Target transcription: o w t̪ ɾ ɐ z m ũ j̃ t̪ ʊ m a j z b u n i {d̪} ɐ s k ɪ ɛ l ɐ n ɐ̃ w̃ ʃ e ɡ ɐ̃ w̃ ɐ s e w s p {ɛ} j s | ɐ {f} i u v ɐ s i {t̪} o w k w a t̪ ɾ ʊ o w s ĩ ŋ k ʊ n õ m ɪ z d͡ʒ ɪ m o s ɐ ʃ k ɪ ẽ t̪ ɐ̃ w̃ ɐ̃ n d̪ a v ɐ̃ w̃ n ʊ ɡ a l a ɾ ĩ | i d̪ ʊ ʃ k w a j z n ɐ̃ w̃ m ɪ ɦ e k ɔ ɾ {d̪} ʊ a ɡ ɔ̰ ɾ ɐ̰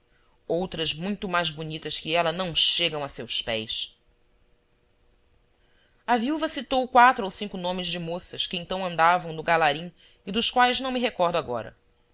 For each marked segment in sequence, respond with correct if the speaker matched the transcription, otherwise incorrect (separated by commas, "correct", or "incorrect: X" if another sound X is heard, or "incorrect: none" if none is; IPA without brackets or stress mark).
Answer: incorrect: t̪, correct, incorrect: v, correct, correct